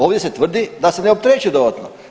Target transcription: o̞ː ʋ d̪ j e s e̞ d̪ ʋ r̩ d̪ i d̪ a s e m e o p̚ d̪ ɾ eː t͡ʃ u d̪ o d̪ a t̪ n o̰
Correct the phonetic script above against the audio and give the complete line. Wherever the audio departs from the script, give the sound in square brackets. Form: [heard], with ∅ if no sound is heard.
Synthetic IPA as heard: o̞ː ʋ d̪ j e s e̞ [t̪] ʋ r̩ d̪ i d̪ a s e [n] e o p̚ [t̪] ɾ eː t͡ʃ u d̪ o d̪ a t̪ n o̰